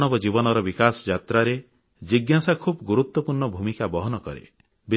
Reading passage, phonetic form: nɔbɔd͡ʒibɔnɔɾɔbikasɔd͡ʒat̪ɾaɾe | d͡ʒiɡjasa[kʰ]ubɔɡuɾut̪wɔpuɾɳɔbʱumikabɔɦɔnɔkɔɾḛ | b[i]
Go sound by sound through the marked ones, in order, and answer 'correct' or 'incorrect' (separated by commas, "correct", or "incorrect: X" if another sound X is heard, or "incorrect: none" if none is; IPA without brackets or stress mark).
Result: correct, correct